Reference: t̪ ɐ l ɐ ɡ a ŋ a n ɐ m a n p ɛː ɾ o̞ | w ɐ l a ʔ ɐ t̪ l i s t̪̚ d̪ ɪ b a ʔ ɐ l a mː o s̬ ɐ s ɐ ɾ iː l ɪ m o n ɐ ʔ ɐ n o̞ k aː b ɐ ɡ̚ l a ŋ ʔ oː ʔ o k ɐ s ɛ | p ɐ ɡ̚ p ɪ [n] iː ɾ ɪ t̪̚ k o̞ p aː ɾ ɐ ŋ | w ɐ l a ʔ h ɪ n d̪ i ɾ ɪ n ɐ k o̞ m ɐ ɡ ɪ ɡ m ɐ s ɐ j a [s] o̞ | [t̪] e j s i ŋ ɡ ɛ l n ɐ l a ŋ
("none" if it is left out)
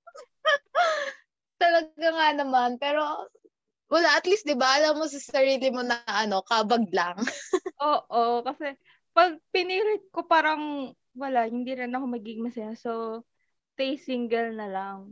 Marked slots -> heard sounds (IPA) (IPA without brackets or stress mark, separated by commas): n, s, t̪